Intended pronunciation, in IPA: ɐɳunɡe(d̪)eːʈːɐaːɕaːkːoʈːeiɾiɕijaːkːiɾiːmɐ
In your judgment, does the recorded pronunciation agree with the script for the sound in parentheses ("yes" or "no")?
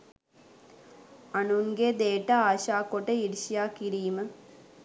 yes